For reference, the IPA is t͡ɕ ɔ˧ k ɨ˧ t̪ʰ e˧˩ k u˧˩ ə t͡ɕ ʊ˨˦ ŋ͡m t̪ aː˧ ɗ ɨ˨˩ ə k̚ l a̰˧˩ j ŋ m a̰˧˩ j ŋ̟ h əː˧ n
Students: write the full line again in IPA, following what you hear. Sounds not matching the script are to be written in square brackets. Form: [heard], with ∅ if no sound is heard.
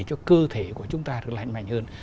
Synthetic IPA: t͡ɕ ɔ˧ k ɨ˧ t̪ʰ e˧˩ k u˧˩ ə t͡ɕ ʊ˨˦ ŋ͡m t̪ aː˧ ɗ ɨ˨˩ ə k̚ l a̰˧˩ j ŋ m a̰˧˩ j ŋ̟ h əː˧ n